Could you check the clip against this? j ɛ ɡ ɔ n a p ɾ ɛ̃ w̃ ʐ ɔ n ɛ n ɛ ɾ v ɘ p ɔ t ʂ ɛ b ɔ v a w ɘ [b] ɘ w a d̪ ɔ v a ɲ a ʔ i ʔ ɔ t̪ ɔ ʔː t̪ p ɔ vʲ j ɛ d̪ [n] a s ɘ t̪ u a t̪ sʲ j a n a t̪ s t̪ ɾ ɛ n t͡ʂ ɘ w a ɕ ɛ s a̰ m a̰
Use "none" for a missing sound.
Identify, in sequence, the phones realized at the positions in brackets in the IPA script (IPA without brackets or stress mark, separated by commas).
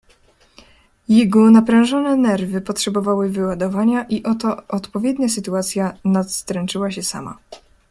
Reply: v, ɲ